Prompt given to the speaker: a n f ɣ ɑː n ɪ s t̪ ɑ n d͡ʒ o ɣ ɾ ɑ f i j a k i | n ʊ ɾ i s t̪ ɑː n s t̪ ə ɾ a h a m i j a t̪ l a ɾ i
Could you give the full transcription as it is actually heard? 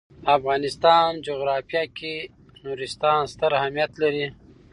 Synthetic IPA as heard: a f ɣ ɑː n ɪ s t̪ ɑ n d͡ʒ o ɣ ɾ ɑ f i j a k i | n u ɾ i s t̪ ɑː n s t̪ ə ɾ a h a m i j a t̪ l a ɾ i